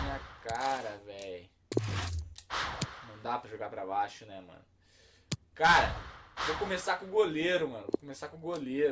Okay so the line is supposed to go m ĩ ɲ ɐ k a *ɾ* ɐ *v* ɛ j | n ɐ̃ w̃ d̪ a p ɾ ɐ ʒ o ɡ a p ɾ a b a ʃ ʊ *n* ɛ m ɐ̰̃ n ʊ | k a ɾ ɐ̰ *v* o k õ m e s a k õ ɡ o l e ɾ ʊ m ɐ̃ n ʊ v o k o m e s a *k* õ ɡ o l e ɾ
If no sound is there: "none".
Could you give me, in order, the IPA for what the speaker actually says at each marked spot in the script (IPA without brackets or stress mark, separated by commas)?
ɾ, v, n, v, k